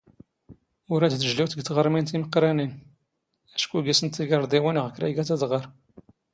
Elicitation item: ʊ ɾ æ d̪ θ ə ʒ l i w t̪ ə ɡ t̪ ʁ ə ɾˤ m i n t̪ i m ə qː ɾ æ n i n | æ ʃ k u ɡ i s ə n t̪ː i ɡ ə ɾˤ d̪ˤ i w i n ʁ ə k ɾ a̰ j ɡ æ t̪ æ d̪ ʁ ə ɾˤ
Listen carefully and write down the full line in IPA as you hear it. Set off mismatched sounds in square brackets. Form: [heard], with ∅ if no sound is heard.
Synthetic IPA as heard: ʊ ɾ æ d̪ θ ə ʒ l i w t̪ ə ɡ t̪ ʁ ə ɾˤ m i n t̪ i m ə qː ɾ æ n i n | æ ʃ k u ɡ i s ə n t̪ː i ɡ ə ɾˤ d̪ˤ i w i n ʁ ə k ɾ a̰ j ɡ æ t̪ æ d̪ ʁ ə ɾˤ